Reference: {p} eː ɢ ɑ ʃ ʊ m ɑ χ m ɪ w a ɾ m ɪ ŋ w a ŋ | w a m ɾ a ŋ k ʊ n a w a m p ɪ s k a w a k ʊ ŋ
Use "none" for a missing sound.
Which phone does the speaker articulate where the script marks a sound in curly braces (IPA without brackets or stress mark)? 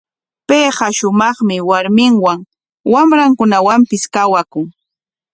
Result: p